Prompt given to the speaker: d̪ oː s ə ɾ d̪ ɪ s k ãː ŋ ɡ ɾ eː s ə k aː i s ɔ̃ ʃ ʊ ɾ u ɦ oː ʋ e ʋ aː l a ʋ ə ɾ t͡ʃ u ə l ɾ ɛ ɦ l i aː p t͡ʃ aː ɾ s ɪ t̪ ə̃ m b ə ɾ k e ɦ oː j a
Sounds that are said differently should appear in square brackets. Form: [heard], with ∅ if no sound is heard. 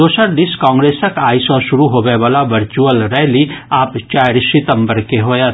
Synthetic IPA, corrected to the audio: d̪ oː s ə ɾ d̪ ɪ s k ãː ŋ ɡ ɾ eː s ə k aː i s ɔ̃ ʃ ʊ ɾ u ɦ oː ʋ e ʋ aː l a ʋ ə ɾ t͡ʃ u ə l ɾ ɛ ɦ l i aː p t͡ʃ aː ɾ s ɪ t̪ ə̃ m b ə ɾ k e ɦ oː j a